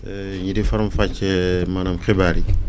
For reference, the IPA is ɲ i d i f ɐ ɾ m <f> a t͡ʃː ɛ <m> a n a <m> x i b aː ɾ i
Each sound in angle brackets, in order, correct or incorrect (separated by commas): correct, correct, correct